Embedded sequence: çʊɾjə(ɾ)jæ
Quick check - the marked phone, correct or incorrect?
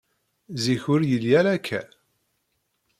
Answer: incorrect